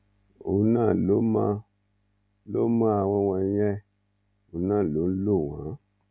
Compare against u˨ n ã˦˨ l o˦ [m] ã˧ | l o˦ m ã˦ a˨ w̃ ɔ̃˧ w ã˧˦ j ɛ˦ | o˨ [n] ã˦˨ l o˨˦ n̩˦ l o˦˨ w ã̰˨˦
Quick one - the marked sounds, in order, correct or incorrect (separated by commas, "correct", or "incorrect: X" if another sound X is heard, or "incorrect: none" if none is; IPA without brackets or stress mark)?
correct, correct